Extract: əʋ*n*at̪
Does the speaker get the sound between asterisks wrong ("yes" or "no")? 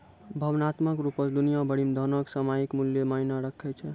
no